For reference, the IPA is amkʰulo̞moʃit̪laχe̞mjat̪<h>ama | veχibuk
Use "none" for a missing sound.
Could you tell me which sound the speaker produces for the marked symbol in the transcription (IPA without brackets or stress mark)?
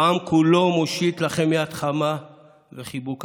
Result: χ